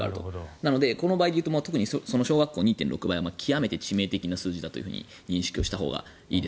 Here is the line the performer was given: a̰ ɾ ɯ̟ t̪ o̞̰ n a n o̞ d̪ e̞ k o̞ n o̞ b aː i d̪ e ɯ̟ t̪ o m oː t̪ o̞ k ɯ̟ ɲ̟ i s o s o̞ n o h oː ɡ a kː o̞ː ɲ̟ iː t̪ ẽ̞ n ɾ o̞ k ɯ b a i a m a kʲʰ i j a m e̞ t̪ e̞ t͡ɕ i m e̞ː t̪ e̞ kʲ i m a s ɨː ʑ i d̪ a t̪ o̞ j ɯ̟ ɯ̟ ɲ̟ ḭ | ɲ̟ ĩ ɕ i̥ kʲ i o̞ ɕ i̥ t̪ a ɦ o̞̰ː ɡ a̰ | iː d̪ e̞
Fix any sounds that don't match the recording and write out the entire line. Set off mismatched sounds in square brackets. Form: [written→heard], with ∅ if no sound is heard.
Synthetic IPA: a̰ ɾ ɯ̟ t̪ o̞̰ n a n o̞ d̪ e̞ k o̞ n o̞ b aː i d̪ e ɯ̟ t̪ o m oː t̪ o̞ k ɯ̟ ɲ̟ i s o s o̞ n o [h→ɕ] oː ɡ a kː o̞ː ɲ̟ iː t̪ ẽ̞ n ɾ o̞ k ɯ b a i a m a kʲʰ i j a m e̞ t̪ e̞ t͡ɕ i m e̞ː t̪ e̞ kʲ i [m→n] a s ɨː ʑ i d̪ a t̪ o̞ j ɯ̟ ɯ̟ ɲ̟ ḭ | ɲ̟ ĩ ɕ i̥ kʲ i o̞ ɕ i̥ t̪ a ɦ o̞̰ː ɡ a̰ | iː d̪ e̞